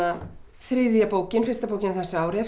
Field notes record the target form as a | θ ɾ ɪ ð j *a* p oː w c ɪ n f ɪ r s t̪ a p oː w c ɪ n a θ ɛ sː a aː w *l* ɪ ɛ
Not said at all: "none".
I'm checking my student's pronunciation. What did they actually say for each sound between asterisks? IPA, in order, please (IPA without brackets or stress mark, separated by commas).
a, ɾ